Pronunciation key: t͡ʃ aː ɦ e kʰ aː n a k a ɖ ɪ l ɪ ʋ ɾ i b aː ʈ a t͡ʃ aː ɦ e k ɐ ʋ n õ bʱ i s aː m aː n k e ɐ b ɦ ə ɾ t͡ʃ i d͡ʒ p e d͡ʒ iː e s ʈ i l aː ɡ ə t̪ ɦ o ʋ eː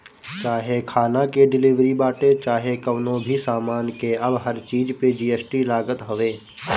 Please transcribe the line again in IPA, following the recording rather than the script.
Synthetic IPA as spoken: t͡ʃ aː ɦ e kʰ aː n a k e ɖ ɪ l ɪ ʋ ɾ i b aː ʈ e t͡ʃ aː ɦ e k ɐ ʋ n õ bʱ i s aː m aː n k e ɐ b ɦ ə ɾ t͡ʃ iː d͡ʒ p e d͡ʒ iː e s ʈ i l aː ɡ ə t̪ ɦ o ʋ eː